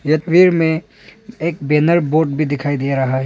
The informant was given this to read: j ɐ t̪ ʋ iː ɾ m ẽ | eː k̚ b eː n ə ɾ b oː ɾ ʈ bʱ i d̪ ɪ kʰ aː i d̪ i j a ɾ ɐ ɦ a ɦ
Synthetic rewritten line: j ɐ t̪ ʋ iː ɾ m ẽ | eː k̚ b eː n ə ɾ b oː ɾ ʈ bʱ i d̪ ɪ kʰ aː i d̪ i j a ɾ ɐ ɦ a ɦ